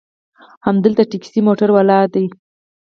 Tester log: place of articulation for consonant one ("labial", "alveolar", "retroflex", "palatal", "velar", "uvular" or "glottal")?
glottal